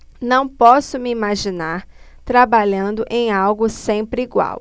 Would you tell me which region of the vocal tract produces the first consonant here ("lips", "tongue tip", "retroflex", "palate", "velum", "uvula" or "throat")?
tongue tip